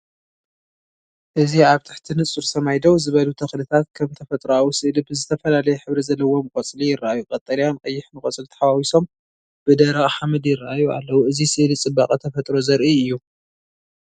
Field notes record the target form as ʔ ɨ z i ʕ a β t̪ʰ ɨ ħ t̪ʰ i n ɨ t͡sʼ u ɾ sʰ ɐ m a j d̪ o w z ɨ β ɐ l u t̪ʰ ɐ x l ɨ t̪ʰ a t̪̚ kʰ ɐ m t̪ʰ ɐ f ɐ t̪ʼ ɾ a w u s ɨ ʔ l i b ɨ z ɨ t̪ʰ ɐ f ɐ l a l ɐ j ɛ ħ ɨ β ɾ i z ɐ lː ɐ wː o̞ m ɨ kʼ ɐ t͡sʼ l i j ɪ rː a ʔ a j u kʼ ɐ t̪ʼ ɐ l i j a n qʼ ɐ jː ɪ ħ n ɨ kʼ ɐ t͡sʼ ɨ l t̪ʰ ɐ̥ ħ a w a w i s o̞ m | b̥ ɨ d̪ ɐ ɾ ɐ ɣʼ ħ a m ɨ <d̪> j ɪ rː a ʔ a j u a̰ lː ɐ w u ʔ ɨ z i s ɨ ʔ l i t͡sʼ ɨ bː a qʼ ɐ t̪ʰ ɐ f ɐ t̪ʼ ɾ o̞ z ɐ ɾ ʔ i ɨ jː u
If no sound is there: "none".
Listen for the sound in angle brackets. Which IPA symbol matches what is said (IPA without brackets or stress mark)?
d̪